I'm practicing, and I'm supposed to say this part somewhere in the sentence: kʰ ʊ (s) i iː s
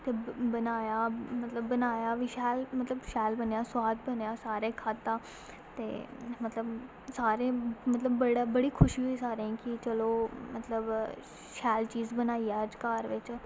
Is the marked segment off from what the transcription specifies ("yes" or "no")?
yes